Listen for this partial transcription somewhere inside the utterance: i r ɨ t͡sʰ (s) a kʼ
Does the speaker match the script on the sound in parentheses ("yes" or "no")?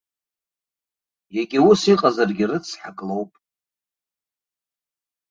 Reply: no